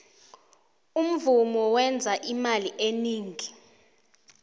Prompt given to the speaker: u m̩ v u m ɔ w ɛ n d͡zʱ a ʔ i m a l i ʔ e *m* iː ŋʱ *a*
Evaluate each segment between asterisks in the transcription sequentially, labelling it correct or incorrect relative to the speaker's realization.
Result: incorrect, incorrect

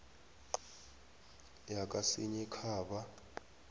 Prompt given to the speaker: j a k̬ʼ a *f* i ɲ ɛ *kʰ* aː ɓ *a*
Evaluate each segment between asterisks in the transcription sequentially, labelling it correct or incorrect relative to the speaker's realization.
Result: incorrect, correct, correct

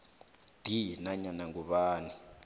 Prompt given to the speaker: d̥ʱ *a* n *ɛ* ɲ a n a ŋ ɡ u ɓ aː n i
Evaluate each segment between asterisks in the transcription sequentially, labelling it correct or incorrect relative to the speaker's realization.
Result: incorrect, incorrect

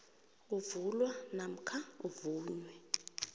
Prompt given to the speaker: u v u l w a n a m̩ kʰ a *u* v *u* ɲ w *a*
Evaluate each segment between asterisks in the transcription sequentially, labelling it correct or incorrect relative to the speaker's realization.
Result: correct, incorrect, incorrect

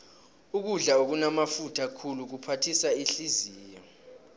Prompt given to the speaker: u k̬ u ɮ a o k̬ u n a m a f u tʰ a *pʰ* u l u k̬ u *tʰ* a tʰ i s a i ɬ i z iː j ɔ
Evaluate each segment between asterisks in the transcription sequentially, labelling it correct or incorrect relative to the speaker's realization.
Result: incorrect, incorrect

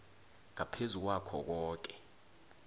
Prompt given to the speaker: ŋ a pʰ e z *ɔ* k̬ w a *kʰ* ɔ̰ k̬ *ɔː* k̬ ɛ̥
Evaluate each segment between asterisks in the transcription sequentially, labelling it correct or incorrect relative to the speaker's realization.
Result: incorrect, correct, correct

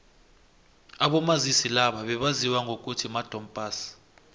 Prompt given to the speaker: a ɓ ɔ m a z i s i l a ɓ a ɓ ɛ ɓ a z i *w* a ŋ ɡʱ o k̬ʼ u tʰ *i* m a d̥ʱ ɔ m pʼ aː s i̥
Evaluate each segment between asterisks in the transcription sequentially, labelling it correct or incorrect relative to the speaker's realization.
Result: correct, correct

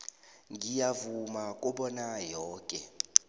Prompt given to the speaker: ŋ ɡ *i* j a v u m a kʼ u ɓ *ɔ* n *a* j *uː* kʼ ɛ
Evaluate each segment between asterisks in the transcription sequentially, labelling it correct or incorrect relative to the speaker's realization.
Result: correct, correct, correct, incorrect

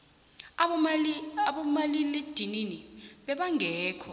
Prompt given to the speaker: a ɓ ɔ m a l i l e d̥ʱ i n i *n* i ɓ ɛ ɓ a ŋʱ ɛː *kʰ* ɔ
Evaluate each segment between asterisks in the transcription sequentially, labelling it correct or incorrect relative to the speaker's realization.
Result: correct, correct

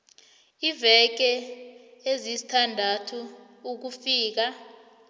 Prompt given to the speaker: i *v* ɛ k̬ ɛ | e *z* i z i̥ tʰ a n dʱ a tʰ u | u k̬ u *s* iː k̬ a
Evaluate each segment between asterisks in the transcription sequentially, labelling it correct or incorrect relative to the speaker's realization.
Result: correct, correct, incorrect

